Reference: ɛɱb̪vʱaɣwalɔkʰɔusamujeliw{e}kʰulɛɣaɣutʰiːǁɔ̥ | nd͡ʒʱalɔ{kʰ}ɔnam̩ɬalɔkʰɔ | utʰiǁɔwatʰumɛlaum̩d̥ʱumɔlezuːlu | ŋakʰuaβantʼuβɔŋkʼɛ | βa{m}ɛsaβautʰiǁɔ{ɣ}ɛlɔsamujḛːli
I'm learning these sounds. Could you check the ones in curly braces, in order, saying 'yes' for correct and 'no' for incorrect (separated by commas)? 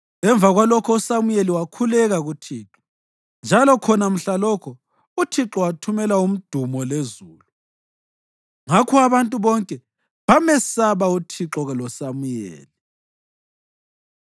no, yes, yes, yes